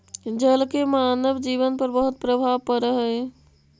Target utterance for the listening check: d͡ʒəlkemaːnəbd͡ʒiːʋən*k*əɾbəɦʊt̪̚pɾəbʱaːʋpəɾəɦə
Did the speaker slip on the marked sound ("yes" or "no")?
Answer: yes